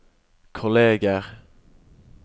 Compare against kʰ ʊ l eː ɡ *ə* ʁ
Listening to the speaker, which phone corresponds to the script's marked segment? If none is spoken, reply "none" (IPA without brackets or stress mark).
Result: ə